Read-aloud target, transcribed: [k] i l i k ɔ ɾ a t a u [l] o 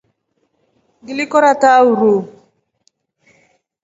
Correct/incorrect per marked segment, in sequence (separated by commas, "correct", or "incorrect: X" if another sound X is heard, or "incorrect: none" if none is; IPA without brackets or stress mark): incorrect: ɡ, incorrect: ɾ